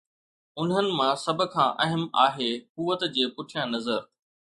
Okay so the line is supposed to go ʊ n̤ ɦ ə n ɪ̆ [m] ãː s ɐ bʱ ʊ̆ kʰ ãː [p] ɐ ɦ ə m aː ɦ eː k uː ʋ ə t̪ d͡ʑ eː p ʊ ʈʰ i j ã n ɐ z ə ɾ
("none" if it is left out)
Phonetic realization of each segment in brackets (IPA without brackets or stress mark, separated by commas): m, ʔ